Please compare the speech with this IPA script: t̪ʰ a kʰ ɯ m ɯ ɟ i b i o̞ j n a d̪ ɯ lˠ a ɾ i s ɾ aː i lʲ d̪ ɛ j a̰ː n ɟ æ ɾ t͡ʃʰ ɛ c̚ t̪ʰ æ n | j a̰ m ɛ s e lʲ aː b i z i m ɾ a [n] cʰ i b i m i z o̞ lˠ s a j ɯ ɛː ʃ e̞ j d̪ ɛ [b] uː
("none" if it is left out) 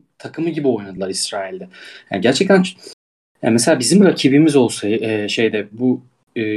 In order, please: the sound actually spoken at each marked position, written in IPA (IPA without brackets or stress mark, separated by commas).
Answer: none, b